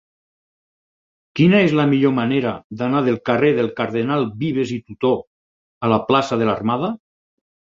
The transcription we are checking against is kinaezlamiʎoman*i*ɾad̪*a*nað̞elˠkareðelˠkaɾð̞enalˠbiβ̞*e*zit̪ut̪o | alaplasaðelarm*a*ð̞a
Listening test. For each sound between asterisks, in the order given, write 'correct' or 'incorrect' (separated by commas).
incorrect, correct, correct, correct